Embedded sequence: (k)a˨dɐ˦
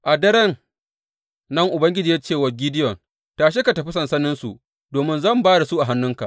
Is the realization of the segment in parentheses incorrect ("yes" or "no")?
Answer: yes